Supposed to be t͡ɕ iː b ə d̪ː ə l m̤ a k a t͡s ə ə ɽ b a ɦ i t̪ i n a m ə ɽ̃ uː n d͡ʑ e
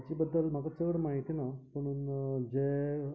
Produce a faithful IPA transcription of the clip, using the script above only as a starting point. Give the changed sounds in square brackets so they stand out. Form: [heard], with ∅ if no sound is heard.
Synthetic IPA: t͡ɕ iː b ə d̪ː ə l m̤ a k a t͡s ə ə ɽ [m] a ɦ i t̪ i n a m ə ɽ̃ uː n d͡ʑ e